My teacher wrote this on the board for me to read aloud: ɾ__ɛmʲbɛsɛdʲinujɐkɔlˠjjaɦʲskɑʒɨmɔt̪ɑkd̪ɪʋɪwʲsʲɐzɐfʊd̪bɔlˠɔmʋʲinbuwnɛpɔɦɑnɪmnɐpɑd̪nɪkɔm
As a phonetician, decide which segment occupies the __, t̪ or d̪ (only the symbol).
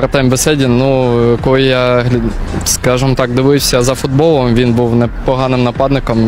t̪